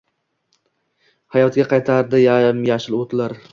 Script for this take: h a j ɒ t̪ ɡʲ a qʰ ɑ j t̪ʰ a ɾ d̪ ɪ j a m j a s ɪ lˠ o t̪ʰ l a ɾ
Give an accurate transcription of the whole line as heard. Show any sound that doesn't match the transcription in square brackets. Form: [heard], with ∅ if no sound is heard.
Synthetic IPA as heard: h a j ɒ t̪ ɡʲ a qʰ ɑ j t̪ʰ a ɾ d̪ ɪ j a m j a [ʃ] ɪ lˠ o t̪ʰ l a ɾ